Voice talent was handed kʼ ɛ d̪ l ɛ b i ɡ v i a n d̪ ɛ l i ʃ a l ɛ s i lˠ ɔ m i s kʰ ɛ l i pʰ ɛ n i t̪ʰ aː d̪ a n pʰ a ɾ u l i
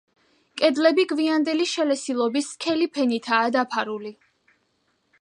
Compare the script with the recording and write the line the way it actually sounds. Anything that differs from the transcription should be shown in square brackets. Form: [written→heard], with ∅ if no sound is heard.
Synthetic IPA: kʼ ɛ d̪ l ɛ b i ɡ v i a n d̪ ɛ l i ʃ [a→ɛ] l ɛ s i lˠ ɔ [m→b] i s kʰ ɛ l i pʰ ɛ n i t̪ʰ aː d̪ a [n→∅] pʰ a ɾ u l i